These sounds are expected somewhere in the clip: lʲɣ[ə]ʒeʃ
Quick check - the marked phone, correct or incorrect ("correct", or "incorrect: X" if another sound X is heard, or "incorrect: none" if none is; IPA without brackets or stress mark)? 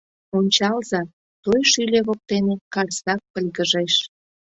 correct